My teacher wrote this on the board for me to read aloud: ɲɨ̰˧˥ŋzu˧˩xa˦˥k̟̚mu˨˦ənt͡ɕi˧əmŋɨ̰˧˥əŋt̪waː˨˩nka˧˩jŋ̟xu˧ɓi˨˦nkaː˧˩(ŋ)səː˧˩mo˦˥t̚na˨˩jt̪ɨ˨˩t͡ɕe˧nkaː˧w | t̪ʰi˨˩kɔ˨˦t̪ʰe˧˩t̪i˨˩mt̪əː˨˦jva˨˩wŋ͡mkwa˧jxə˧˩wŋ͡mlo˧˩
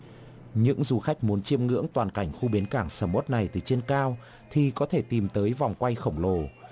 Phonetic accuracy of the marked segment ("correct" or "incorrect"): correct